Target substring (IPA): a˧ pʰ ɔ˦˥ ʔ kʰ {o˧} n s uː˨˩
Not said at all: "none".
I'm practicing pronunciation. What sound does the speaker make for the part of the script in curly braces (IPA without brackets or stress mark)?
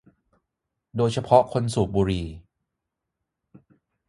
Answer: o˧